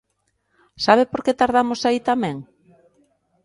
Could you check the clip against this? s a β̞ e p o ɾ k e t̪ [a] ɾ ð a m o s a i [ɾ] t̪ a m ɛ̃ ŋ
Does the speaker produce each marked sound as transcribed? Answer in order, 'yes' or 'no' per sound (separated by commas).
yes, no